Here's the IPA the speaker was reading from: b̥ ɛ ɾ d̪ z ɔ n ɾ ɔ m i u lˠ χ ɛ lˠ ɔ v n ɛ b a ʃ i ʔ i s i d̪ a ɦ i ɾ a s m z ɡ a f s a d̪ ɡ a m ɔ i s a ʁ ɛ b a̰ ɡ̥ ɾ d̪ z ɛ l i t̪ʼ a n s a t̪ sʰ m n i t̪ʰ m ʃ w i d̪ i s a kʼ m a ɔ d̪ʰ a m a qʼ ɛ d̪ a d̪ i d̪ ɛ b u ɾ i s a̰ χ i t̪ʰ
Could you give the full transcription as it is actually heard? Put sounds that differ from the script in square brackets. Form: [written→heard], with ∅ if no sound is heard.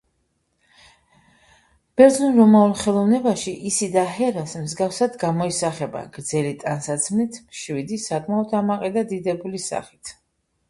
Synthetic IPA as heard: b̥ ɛ ɾ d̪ z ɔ n ɾ ɔ m [i→a] u lˠ χ ɛ lˠ ɔ v n ɛ b a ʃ i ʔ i s i d̪ a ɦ [i→ɛ] ɾ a s m z ɡ a f s a d̪ ɡ a m ɔ i s a [ʁ→χ] ɛ b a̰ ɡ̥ ɾ d̪ z ɛ l i t̪ʼ a n s a t̪ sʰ m n i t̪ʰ m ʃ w i d̪ i s a kʼ m a ɔ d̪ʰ a m a qʼ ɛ d̪ a d̪ i d̪ ɛ b u [ɾ→l] i s a̰ χ i t̪ʰ

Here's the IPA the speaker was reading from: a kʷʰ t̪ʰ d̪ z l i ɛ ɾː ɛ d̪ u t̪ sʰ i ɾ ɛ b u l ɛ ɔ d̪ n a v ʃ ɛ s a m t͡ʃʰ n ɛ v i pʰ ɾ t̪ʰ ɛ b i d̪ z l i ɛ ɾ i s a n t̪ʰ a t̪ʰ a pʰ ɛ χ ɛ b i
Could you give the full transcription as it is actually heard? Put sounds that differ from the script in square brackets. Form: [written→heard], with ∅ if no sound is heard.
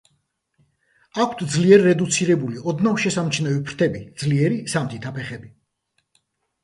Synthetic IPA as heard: a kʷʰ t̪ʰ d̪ z l i ɛ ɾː ɛ d̪ u t̪ sʰ i ɾ ɛ b u l [ɛ→i] ɔ d̪ n a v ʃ ɛ s a m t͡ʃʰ n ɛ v i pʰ ɾ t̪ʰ ɛ b i d̪ z l i ɛ ɾ i s a [n→m] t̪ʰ [a→i] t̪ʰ a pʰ ɛ χ ɛ b i

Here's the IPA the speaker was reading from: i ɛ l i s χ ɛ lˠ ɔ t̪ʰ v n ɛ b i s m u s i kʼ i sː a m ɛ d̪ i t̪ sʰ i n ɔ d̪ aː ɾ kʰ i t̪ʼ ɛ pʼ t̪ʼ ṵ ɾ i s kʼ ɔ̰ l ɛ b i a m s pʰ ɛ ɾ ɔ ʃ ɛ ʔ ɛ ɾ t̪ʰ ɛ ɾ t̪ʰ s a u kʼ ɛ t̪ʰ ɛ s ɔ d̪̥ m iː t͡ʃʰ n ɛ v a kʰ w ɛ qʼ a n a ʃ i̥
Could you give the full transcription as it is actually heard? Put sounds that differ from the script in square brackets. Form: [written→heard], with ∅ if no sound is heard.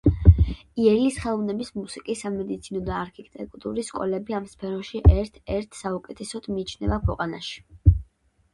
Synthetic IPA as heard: i ɛ l i s χ ɛ lˠ ɔ [t̪ʰ→∅] v n ɛ b i s m u s i kʼ i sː a m ɛ d̪ i t̪ sʰ i n ɔ d̪ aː ɾ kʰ i t̪ʼ ɛ [pʼ→kʼ] t̪ʼ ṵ ɾ i s kʼ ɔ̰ l ɛ b i a m s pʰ ɛ ɾ ɔ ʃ [ɛ→i] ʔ ɛ ɾ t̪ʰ ɛ ɾ t̪ʰ s a u kʼ ɛ t̪ʰ ɛ s ɔ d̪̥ m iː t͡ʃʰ n ɛ v a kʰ w ɛ qʼ a n a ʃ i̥

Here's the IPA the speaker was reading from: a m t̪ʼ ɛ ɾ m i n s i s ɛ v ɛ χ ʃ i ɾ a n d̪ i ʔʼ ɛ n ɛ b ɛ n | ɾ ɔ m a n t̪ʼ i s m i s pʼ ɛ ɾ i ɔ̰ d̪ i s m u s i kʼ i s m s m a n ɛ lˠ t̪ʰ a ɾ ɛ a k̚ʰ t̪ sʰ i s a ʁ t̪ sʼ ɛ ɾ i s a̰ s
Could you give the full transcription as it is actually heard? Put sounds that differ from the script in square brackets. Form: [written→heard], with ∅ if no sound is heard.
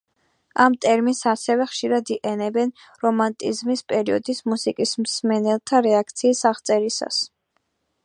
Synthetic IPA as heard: a m t̪ʼ ɛ ɾ m i n s [i→a] s ɛ v ɛ χ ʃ i ɾ a [n→∅] d̪ i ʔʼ ɛ n ɛ b ɛ n | ɾ ɔ m a n t̪ʼ i [s→z] m i s pʼ ɛ ɾ i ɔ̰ d̪ i s m u s i kʼ i s m s m [a→ɛ] n ɛ lˠ t̪ʰ a ɾ ɛ a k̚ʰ t̪ sʰ [i→iː] s a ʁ t̪ sʼ ɛ ɾ i s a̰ s

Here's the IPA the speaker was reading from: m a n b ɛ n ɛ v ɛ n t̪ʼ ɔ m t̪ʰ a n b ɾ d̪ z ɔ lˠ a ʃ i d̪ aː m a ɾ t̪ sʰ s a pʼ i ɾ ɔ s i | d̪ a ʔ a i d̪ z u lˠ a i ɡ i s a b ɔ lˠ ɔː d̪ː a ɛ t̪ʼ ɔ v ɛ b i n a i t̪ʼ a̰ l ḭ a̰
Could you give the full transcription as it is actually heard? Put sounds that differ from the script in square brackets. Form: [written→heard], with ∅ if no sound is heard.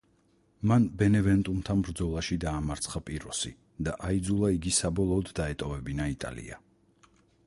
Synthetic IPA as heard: m a n b ɛ n ɛ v ɛ n t̪ʼ [ɔ→u] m t̪ʰ a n b ɾ d̪ z ɔ lˠ a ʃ i d̪ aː m a ɾ t̪ sʰ [s→χ] a pʼ i ɾ ɔ s i | d̪ a ʔ a i d̪ z u lˠ a i ɡ i s a b ɔ lˠ ɔː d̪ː a ɛ t̪ʼ ɔ v ɛ b i n a i t̪ʼ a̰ l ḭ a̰

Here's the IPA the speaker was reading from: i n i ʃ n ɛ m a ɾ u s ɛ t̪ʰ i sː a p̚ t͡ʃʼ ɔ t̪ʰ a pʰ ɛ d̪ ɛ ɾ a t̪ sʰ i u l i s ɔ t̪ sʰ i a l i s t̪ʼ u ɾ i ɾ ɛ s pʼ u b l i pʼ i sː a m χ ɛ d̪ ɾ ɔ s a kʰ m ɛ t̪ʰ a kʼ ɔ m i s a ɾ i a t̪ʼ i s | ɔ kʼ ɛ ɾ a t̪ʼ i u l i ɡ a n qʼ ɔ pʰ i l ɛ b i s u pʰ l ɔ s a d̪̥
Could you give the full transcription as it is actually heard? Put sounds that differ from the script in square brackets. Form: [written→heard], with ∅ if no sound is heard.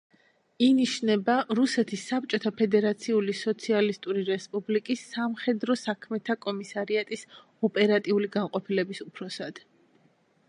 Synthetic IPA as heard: i n i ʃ n ɛ [m→b] a ɾ u s ɛ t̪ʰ i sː a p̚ t͡ʃʼ ɔ t̪ʰ a pʰ ɛ d̪ ɛ ɾ a t̪ sʰ i u l i s ɔ t̪ sʰ i a l i s t̪ʼ u ɾ i ɾ ɛ s pʼ u b l i [pʼ→kʼ] i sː a m χ ɛ d̪ ɾ ɔ s a kʰ m ɛ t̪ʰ a kʼ ɔ m i s a ɾ i a t̪ʼ i s | ɔ [kʼ→pʼ] ɛ ɾ a t̪ʼ i u l i ɡ a n qʼ ɔ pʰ i l ɛ b i s u pʰ [l→ɾ] ɔ s a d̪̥

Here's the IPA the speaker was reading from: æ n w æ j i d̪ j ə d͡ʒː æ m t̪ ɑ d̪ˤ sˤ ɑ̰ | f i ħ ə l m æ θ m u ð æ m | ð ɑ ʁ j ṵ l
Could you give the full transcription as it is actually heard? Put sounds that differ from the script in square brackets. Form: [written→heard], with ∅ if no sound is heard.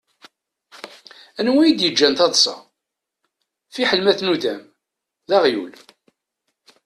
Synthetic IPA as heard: æ n w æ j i d̪ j ə d͡ʒː æ [m→n] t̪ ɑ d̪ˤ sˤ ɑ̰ | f i ħ ə l m æ θ [m→n] u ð æ m | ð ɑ ʁ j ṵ l

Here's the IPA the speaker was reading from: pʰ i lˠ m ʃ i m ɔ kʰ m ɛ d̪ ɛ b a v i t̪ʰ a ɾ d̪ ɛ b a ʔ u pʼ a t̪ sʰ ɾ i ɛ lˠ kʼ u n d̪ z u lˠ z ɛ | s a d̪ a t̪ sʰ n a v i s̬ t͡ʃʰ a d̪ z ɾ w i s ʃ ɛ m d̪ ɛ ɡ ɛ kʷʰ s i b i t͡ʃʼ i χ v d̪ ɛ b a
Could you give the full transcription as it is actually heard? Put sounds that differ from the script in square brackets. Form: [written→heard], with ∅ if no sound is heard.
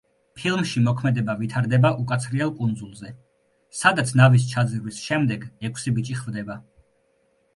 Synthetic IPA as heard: pʰ i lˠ m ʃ i m ɔ kʰ m ɛ d̪ ɛ b a v i t̪ʰ a ɾ d̪ ɛ b a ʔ u [pʼ→kʼ] a t̪ sʰ ɾ i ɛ lˠ kʼ u n d̪ z u lˠ z ɛ | s a d̪ a t̪ sʰ n a v i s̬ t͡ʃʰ a d̪ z ɾ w i s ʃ ɛ m d̪ ɛ ɡ ɛ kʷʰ s i b i t͡ʃʼ i χ v d̪ ɛ b a

